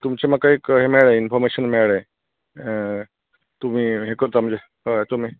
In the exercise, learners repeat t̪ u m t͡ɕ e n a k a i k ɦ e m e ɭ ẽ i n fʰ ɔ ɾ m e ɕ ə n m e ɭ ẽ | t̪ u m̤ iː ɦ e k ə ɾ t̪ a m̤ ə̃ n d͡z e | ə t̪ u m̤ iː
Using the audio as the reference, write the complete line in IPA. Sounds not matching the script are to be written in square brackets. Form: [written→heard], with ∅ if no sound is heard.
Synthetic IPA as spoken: t̪ u m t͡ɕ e [n→m] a k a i k ɦ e m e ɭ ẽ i n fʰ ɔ ɾ m e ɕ ə n m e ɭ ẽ | t̪ u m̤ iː ɦ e k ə ɾ t̪ a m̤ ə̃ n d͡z e | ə t̪ u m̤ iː